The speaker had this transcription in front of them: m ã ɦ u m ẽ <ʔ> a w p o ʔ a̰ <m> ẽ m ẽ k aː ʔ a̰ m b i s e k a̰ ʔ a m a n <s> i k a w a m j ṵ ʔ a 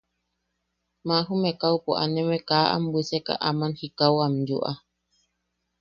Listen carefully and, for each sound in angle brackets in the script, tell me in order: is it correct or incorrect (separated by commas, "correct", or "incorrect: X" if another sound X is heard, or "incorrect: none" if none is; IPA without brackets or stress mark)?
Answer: incorrect: k, incorrect: n, incorrect: h